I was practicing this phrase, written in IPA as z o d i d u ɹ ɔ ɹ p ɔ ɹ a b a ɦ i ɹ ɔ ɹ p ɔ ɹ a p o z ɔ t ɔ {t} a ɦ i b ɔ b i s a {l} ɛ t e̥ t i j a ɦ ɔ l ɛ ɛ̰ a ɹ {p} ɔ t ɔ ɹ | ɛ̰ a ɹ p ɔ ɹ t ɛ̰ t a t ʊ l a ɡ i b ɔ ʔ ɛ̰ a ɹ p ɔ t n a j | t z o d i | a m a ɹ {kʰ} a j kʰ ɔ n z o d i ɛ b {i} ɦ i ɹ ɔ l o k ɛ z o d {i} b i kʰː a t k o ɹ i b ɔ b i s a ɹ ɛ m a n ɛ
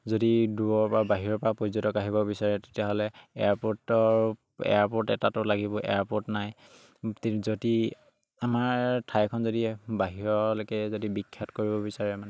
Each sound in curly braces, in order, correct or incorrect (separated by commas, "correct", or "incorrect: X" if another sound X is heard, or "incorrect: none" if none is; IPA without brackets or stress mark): incorrect: k, incorrect: ɹ, correct, incorrect: tʰ, incorrect: a, correct